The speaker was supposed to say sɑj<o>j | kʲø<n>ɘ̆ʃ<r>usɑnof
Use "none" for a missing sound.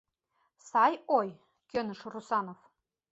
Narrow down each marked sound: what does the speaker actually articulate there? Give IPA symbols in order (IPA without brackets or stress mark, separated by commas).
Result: o, n, r